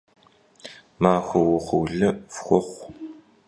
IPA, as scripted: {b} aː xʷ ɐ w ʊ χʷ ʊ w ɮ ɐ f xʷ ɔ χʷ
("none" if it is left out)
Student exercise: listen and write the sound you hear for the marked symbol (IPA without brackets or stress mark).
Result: m